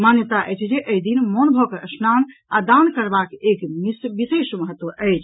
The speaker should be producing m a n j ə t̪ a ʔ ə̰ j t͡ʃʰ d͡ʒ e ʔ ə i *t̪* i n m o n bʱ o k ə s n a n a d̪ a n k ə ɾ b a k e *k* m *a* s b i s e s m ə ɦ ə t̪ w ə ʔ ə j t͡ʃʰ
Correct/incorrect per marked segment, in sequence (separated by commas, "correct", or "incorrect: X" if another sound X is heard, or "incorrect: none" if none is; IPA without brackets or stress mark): incorrect: d̪, correct, incorrect: i